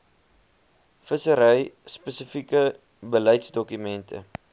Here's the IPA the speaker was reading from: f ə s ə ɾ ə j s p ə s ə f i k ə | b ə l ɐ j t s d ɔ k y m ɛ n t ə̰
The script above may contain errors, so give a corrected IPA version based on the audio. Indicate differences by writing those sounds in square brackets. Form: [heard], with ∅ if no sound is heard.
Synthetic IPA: f ə s ə ɾ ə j s p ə s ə f i k ə | b ə l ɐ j t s d ɔ k y m ɛ n t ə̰